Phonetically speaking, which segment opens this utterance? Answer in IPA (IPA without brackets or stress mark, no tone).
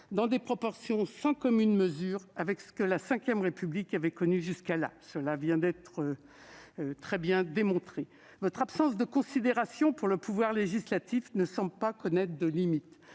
d̪